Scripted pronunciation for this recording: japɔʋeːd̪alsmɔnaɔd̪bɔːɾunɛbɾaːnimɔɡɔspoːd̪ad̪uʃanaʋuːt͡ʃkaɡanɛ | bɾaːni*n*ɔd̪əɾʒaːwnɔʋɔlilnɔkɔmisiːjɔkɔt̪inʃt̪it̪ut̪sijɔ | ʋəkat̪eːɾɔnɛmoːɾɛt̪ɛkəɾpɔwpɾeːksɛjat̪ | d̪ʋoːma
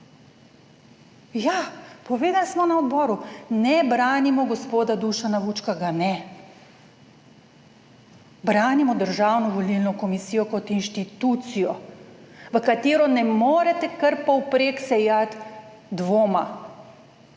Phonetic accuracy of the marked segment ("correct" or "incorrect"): incorrect